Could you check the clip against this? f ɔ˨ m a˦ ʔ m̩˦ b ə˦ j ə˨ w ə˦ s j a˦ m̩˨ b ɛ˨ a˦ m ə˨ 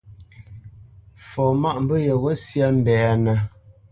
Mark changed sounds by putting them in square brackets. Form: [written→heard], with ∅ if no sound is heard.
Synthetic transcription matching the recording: f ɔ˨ m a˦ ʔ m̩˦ b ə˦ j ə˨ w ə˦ s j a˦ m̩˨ b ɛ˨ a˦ [m→n] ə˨